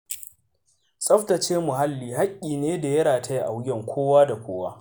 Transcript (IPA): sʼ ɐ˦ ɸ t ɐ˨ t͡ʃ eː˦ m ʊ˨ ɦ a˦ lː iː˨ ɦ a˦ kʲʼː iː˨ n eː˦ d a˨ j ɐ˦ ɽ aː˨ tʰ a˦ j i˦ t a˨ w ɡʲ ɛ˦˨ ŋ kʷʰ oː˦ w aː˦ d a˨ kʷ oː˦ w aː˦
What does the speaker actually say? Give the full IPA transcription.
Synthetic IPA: sʼ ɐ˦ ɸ t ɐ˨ t͡ʃ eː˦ m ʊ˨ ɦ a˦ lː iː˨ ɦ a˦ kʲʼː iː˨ n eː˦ d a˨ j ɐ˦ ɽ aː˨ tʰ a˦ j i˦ ʔ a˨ w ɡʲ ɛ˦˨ ŋ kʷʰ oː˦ w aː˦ d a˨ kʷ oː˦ w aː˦